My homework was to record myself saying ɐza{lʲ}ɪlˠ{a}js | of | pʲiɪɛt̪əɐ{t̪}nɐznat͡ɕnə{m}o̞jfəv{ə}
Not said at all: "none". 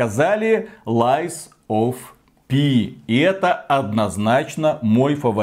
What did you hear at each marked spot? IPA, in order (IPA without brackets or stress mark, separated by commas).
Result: lʲ, a, d̪, m, ɐ